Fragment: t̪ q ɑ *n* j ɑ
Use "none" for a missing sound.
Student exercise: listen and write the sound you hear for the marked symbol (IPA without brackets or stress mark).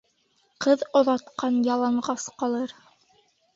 n